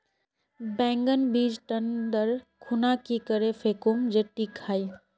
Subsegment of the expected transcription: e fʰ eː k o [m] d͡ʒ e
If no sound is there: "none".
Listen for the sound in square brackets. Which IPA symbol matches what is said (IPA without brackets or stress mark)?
m